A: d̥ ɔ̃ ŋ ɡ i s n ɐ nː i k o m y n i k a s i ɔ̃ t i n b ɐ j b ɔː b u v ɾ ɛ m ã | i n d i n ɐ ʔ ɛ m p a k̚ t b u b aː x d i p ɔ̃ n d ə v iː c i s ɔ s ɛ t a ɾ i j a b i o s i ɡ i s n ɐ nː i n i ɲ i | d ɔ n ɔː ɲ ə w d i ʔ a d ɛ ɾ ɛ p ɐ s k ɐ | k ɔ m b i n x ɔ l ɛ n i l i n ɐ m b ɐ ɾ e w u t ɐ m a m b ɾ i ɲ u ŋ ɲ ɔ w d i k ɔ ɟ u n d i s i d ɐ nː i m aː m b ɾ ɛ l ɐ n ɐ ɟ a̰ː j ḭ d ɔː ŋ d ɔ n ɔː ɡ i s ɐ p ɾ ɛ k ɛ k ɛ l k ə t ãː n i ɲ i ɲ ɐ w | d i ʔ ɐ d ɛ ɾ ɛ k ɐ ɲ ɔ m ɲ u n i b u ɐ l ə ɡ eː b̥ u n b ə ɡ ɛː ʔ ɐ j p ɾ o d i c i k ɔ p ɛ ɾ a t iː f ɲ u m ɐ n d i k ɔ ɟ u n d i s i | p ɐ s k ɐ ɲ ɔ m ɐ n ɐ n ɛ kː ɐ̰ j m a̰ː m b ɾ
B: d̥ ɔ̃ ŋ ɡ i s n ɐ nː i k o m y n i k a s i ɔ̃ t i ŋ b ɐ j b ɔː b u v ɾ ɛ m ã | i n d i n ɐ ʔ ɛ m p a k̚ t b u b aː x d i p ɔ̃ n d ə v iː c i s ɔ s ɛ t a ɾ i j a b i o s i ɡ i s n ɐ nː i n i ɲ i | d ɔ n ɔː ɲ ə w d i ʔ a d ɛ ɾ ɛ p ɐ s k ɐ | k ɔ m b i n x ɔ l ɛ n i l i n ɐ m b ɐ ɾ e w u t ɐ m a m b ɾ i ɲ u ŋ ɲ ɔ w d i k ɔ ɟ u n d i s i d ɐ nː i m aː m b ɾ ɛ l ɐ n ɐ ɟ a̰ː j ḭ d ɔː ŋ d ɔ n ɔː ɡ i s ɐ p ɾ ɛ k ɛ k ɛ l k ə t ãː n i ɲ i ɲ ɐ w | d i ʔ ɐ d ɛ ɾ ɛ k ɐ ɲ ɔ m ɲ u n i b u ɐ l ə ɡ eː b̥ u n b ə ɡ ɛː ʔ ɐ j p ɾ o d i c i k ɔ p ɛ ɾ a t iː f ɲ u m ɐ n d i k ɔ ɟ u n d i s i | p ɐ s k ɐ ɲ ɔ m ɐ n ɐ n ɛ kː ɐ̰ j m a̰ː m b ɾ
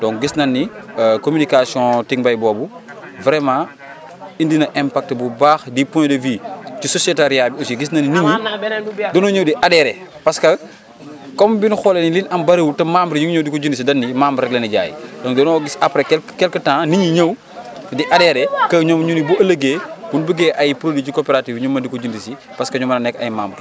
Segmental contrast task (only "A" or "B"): B